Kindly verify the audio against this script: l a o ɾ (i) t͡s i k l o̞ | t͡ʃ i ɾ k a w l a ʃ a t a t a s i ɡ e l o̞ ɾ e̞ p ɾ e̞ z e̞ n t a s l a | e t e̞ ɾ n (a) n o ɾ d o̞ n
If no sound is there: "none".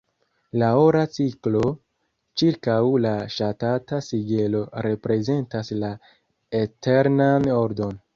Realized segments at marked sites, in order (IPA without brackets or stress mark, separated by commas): a, a